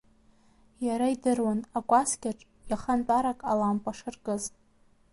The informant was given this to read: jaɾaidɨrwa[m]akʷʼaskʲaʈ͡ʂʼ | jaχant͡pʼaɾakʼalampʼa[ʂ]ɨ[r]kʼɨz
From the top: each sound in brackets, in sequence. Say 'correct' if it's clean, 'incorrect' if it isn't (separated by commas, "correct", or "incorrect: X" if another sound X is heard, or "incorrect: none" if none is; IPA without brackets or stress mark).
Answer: incorrect: n, correct, correct